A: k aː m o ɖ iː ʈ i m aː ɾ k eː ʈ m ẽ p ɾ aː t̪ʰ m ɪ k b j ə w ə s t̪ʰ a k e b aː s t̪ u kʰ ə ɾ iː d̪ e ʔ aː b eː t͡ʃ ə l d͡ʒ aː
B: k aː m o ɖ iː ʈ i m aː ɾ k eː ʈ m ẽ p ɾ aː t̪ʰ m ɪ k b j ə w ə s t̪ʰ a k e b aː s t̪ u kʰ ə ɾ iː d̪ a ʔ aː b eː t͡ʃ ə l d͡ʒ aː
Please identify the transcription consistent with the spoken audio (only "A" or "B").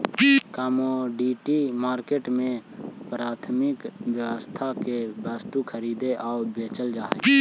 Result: A